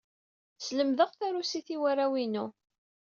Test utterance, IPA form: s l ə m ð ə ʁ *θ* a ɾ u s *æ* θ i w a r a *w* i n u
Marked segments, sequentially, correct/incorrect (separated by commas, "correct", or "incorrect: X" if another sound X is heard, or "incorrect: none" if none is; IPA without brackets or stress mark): correct, incorrect: i, correct